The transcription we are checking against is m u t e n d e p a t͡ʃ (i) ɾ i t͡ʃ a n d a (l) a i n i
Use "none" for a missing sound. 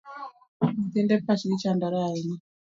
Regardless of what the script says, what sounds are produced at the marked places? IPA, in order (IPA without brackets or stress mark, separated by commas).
i, ɾ